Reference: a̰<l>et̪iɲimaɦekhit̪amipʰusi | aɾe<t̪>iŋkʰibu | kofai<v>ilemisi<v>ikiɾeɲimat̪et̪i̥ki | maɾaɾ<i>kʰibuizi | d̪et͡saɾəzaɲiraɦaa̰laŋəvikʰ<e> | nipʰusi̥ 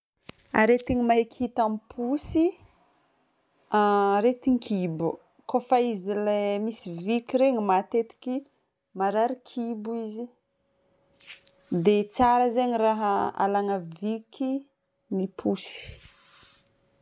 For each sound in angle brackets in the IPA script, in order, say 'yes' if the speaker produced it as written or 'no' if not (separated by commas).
no, yes, no, yes, yes, no